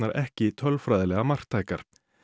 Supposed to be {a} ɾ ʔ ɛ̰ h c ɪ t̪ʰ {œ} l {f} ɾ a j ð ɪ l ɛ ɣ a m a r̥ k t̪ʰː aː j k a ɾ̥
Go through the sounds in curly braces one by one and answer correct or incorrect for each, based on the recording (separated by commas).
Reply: correct, correct, correct